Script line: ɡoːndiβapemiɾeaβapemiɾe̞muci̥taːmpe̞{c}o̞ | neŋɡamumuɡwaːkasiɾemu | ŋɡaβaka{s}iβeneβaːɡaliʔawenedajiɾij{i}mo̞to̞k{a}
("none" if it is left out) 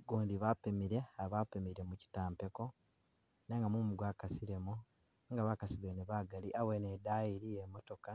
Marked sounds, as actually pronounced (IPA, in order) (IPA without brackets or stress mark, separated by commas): k, s, e, a